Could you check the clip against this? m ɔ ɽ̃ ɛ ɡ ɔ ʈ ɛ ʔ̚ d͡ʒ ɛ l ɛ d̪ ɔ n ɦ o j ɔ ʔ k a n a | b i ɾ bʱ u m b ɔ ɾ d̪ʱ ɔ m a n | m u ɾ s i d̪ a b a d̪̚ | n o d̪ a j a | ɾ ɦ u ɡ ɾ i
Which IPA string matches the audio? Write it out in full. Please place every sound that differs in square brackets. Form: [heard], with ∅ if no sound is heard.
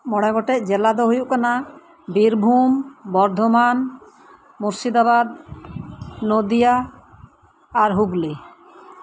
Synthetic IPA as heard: m ɔ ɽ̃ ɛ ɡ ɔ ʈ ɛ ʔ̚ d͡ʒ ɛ l [a] d̪ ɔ [∅] ɦ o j [u] ʔ k a n a | b i ɾ bʱ u m b ɔ ɾ d̪ʱ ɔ m a n | m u ɾ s i d̪ a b a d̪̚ | n o d̪ [i] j a | ɾ ɦ u ɡ [l] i